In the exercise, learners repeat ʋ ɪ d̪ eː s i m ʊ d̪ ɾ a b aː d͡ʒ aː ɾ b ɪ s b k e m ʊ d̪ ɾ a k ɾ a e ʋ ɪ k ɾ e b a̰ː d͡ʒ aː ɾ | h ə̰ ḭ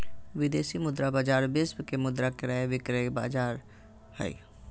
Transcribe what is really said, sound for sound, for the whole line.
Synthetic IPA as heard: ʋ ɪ d̪ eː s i m ʊ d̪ ɾ a b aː d͡ʒ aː ɾ b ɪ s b k e m ʊ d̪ ɾ a k ɾ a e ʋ ɪ k ɾ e b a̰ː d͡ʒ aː ɾ | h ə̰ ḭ